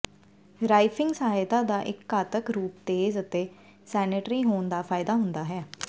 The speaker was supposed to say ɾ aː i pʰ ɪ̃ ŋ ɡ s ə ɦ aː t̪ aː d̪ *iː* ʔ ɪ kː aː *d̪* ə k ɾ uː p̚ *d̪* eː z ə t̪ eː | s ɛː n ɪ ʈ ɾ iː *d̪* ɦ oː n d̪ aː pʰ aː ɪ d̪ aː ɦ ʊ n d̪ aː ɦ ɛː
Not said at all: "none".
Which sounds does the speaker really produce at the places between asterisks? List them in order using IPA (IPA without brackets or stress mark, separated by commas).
aː, t̪, t̪, none